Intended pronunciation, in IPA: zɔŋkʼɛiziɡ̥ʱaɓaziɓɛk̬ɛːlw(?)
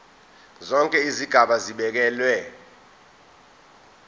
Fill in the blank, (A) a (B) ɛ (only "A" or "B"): B